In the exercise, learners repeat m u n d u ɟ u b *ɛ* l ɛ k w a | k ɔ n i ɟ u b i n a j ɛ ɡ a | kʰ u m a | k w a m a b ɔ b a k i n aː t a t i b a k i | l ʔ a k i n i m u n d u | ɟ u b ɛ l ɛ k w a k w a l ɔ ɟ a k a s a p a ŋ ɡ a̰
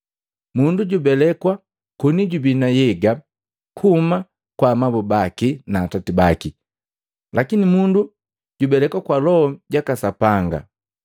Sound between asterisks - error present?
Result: no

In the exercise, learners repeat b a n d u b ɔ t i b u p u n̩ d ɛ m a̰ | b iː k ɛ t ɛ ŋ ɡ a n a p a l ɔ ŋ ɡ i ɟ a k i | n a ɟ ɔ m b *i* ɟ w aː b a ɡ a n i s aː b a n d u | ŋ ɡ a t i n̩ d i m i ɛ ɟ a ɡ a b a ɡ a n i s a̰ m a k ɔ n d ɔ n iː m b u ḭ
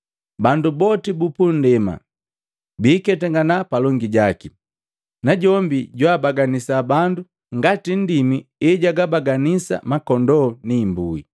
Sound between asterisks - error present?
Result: no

